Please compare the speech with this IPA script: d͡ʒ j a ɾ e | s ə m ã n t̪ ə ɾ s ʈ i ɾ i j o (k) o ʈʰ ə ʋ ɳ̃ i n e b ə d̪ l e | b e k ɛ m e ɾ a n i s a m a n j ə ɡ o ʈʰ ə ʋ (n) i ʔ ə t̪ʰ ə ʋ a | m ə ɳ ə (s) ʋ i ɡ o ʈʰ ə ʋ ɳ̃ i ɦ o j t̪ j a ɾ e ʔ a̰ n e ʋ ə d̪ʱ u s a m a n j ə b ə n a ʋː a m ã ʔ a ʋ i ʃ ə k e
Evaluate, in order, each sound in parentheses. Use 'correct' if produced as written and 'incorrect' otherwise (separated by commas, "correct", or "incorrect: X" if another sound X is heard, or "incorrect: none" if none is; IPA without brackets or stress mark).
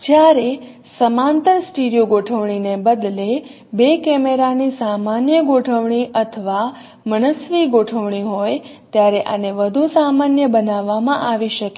incorrect: ɡ, incorrect: ɳ, correct